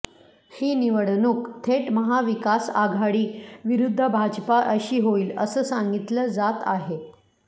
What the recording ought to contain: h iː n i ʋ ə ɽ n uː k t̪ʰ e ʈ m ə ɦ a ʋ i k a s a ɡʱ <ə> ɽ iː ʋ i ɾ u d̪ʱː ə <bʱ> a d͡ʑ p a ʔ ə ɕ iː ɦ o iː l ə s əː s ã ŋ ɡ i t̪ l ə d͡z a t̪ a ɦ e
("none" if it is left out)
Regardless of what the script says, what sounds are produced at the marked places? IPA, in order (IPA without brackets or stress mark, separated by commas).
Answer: a, bʱ